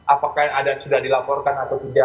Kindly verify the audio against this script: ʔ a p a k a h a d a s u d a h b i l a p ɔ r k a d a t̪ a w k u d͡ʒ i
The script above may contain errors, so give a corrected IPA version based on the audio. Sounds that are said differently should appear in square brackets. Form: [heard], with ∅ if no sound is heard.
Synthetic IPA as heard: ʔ a p a k a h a d a s u d a h [d] i l a p ɔ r k a [n] a t̪ a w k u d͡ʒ [a]